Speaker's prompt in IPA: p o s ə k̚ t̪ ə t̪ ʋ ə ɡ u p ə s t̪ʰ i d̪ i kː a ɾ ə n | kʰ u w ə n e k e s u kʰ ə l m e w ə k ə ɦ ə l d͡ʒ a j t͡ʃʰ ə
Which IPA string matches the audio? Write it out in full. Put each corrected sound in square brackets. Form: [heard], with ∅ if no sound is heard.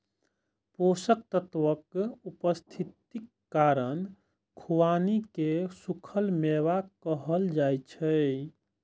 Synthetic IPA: p o s ə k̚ t̪ ə t̪ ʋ ə [k] u p ə s t̪ʰ i [t̪] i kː a ɾ ə n | kʰ u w [a] n [i] k e s u kʰ ə l m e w [a] k ə ɦ ə l d͡ʒ a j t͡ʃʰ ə